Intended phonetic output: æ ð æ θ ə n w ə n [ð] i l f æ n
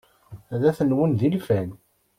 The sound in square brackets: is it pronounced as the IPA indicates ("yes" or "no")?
yes